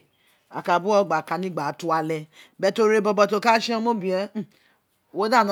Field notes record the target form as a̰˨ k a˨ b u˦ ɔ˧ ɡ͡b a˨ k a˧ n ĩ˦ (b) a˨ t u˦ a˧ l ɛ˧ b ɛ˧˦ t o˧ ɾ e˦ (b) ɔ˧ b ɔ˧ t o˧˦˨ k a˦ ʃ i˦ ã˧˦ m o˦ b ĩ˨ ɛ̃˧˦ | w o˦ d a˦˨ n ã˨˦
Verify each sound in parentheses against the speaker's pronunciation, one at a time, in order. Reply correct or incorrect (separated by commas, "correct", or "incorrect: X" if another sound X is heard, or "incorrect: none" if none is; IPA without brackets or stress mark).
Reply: incorrect: ɡ͡b, correct